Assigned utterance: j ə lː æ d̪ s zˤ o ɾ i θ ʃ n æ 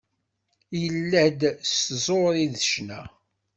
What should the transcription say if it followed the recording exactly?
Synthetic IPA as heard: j ə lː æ d̪ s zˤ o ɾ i ð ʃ n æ